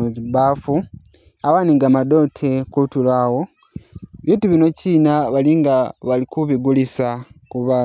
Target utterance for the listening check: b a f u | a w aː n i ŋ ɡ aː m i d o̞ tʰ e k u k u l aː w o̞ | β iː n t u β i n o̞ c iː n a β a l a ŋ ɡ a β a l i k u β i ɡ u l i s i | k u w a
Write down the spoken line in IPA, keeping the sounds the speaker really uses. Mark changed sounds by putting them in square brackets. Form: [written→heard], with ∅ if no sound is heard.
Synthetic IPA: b a f u | a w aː n i ŋ ɡ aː m [i→a] d o̞ tʰ e k u [k→t] u l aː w o̞ | β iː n t u β i n o̞ c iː n a β a l [a→i] ŋ ɡ a β a l i k u β i ɡ u l i s [i→a] | k u [w→β] a